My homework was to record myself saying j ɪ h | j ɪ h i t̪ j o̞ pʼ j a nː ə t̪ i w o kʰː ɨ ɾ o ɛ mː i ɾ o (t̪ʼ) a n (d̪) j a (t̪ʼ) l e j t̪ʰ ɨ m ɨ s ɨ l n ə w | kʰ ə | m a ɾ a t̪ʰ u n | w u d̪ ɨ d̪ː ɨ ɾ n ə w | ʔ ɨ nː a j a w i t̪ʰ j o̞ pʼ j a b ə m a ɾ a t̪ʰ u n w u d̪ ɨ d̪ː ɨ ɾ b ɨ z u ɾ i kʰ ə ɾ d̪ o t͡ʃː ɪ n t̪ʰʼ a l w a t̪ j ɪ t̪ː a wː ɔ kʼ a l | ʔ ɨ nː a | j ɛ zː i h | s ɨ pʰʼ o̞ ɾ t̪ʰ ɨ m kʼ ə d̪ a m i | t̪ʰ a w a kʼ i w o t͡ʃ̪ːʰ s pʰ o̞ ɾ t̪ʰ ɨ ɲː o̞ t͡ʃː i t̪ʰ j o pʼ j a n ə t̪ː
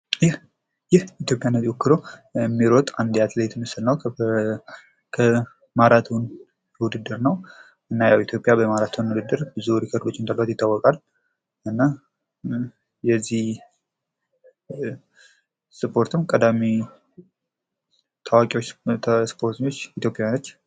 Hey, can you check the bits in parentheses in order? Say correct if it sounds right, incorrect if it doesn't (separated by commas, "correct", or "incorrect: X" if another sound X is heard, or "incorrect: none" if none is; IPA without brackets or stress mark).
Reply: correct, correct, incorrect: t̪